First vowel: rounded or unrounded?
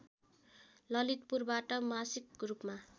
unrounded